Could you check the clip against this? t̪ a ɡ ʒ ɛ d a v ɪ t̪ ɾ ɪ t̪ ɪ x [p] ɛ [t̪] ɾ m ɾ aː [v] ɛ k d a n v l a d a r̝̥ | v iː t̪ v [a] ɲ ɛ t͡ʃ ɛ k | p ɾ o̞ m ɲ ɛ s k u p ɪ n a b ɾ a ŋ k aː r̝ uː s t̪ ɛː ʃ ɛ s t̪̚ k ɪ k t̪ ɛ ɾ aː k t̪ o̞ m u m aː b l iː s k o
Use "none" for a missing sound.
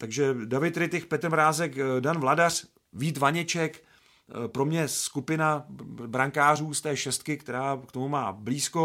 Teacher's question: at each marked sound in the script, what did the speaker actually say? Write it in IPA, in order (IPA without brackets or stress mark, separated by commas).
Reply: p, t̪, z, a